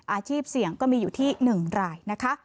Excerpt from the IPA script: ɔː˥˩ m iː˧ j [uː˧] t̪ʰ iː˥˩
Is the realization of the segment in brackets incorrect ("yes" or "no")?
yes